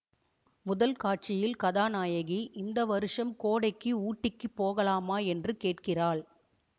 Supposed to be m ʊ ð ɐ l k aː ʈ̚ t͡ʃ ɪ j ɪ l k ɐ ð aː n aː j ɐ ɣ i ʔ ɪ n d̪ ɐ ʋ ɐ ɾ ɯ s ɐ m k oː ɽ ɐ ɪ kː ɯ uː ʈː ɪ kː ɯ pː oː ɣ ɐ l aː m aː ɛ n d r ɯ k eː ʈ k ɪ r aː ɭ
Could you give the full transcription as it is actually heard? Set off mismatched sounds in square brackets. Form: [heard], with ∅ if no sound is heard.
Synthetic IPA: m ʊ ð ɐ l k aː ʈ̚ t͡ʃ ɪ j ɪ l k ɐ ð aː n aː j ɐ ɣ i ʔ ɪ n d̪ ɐ ʋ ɐ ɾ ɯ [ʂ] ɐ m k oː ɽ ɐ ɪ kː ɯ uː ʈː ɪ kː ɯ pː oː ɣ ɐ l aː m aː ɛ n d r ɯ k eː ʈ k ɪ r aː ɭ

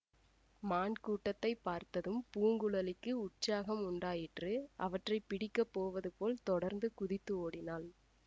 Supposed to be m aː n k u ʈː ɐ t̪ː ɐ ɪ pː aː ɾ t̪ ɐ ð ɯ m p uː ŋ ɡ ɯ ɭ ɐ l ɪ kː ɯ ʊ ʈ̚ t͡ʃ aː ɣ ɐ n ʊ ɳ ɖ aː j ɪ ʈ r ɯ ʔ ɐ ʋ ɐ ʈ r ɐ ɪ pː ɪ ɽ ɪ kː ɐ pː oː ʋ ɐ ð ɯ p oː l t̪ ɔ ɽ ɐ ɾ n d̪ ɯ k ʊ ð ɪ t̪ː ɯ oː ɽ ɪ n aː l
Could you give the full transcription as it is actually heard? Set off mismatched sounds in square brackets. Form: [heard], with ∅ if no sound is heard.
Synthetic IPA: m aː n k [uː] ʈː ɐ t̪ː ɐ ɪ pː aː ɾ t̪ ɐ ð ɯ m p uː ŋ ɡ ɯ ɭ ɐ l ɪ kː ɯ ʊ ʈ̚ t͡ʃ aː ɣ ɐ [m] ʊ ɳ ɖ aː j ɪ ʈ r ɯ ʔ ɐ ʋ ɐ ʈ r ɐ ɪ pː ɪ ɽ ɪ kː ɐ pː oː ʋ ɐ ð ɯ p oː l t̪ ɔ ɽ ɐ ɾ n d̪ ɯ k ʊ ð ɪ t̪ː ɯ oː ɽ ɪ n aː l

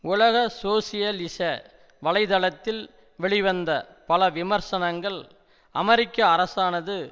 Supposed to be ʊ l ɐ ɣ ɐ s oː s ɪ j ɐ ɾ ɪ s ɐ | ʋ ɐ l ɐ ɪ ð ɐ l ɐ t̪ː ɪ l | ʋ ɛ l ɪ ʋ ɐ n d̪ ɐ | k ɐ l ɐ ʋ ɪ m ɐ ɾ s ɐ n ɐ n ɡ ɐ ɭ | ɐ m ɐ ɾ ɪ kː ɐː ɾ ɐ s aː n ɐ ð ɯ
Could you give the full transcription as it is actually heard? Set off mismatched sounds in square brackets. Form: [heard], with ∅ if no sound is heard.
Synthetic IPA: ʊ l ɐ ɣ ɐ s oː s ɪ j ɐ [l] ɪ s ɐ | ʋ ɐ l ɐ ɪ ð ɐ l ɐ t̪ː ɪ l | ʋ ɛ [ɭ] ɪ ʋ ɐ n d̪ ɐ | [p] ɐ l ɐ ʋ ɪ m ɐ ɾ s ɐ n ɐ [ŋ] ɡ ɐ ɭ | ɐ m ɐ ɾ ɪ kː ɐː ɾ ɐ s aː n ɐ ð ɯ

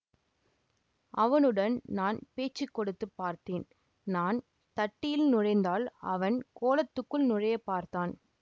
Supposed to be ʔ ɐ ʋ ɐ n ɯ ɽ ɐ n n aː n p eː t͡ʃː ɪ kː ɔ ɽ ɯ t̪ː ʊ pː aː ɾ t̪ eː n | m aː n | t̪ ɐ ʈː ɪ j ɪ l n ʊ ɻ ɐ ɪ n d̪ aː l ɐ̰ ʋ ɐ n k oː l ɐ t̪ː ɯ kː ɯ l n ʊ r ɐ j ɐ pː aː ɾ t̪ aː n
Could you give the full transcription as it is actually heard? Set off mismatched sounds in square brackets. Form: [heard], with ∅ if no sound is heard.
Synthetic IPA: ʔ ɐ ʋ ɐ n ɯ ɽ ɐ n n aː n p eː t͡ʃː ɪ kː ɔ ɽ ɯ t̪ː [ɯ] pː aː ɾ t̪ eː n | [n] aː n | t̪ ɐ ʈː ɪ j ɪ l n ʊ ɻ ɐ ɪ n d̪ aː l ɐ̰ ʋ ɐ n k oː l ɐ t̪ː ɯ kː ɯ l n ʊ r ɐ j ɐ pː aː ɾ t̪ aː n

